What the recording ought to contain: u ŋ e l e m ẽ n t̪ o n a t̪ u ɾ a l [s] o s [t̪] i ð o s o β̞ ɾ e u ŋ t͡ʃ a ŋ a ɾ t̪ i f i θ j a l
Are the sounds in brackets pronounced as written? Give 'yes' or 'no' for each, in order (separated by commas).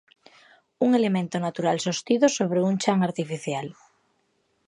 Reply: yes, yes